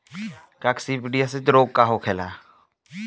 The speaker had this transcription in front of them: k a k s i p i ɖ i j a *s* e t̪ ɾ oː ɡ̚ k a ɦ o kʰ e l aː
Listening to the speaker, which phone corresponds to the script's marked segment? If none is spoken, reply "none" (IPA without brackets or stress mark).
s